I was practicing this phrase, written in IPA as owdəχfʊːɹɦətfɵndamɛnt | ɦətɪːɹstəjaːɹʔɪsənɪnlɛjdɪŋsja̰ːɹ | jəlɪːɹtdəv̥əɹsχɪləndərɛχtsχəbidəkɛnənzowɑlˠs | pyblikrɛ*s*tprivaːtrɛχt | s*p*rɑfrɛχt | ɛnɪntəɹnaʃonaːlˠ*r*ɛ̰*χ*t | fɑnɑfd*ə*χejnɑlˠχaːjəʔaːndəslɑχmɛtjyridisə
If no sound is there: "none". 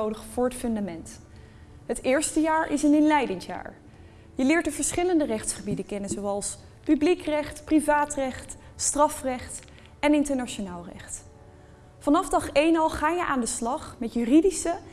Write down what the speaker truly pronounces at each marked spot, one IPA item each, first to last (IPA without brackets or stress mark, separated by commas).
χ, t, r, χ, ɑ